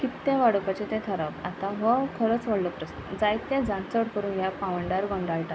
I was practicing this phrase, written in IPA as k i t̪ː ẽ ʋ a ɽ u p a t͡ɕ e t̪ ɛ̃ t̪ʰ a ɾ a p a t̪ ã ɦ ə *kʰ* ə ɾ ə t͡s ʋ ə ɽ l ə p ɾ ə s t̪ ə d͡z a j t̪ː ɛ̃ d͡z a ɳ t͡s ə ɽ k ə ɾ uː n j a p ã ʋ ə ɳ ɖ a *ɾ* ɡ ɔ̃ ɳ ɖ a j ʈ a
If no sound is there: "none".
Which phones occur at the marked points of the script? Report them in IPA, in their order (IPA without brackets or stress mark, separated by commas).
kʰ, ɾ